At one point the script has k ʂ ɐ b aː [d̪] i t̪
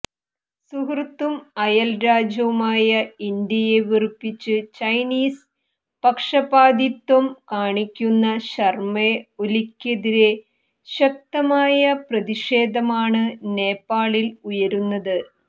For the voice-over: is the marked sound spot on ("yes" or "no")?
yes